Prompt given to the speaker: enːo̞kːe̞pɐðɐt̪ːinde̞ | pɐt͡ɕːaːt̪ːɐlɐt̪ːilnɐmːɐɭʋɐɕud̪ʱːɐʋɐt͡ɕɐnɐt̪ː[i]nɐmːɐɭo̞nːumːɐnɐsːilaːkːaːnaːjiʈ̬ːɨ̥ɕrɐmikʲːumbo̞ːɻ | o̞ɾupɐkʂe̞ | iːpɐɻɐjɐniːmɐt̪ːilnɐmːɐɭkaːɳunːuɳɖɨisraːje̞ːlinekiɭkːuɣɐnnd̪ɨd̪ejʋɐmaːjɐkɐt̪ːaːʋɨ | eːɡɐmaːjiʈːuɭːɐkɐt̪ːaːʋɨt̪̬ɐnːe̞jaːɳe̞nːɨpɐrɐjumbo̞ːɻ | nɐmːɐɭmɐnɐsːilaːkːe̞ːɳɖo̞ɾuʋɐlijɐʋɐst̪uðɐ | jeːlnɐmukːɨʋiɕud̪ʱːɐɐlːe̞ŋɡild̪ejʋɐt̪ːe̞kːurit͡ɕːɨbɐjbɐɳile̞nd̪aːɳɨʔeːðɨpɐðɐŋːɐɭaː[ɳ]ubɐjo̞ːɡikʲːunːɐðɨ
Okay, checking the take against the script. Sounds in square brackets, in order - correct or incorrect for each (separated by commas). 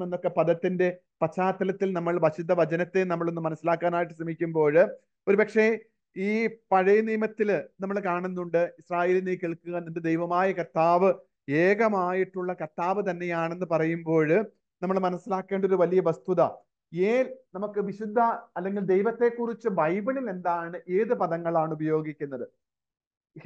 incorrect, correct